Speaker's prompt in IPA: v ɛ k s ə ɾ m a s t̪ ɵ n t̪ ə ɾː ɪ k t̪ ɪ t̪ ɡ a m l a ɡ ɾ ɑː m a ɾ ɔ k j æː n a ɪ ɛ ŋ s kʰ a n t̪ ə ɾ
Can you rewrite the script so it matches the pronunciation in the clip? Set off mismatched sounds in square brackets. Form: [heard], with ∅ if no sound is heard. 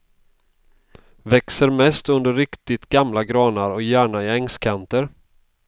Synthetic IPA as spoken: v ɛ k s ə ɾ m [ɛ] s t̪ ɵ n [d̪] ə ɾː ɪ k t̪ ɪ t̪ ɡ a m l a ɡ ɾ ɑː [n] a ɾ ɔ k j æː [ɳ] a ɪ ɛ ŋ s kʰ a n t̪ ə ɾ

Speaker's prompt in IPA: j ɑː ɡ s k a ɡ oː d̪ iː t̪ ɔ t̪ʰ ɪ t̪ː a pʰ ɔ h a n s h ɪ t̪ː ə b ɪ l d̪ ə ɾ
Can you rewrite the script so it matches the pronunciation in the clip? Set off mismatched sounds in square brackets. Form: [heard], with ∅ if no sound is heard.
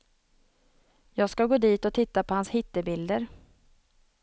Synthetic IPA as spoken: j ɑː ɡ s k a ɡ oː d̪ iː t̪ ɔ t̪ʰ ɪ t̪ː a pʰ ɔ h a n s h ɪ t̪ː ə b ɪ l d̪ ə ɾ

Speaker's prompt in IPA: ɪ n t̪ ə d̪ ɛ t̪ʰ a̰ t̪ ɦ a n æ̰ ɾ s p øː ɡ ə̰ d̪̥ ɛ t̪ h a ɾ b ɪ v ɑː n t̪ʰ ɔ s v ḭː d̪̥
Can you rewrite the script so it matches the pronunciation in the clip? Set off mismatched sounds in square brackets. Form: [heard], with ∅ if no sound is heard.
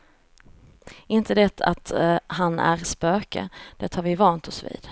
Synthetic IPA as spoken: ɪ n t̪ ə d̪ ɛ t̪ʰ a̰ t̪ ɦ a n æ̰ ɾ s p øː [k] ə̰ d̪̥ ɛ t̪ h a ɾ [v] ɪ v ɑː n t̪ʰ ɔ s v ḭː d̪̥

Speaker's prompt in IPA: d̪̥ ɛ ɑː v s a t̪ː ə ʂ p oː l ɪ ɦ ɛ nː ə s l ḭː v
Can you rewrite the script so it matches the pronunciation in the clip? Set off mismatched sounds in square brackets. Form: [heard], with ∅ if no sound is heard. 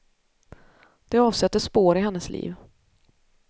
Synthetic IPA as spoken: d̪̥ ɛ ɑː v s [ɛ] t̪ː ə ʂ p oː [ɾ] ɪ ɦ ɛ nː ə s l ḭː v

